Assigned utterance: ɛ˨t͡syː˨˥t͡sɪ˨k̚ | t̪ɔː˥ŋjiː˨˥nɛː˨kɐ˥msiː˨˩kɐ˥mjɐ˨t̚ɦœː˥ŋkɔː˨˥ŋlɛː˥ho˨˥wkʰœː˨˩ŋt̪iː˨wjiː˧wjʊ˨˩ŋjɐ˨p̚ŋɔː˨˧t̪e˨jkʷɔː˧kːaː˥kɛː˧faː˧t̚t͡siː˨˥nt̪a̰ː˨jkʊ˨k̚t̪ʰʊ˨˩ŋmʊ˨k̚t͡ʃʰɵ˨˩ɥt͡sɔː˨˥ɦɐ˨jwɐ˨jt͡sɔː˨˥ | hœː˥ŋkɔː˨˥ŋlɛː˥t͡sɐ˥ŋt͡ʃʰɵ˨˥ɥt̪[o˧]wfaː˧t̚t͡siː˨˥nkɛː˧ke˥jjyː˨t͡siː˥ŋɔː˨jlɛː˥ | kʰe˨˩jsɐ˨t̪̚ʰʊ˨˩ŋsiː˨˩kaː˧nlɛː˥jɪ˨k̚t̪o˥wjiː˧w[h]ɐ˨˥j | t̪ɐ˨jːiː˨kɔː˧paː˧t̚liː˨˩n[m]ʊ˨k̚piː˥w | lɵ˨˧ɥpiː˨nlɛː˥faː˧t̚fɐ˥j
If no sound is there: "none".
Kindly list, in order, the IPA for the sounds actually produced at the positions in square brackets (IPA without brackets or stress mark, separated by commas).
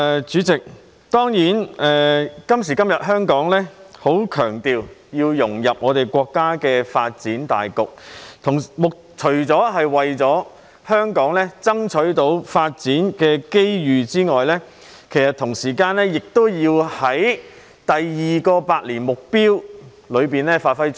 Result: o˨˥, h, m